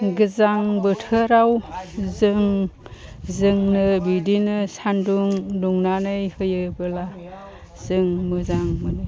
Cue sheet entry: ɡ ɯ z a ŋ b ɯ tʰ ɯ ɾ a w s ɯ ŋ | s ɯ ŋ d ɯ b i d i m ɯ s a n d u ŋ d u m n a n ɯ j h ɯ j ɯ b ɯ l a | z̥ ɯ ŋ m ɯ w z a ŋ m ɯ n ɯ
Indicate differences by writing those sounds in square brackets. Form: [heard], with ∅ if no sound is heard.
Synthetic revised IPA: ɡ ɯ z a ŋ b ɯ tʰ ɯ ɾ a w [z] ɯ ŋ | [z] ɯ ŋ [n] ɯ b i d i [n] ɯ s a n d u ŋ d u [ŋ] n a n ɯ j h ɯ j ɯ b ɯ l a | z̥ ɯ ŋ m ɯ [∅] z a ŋ m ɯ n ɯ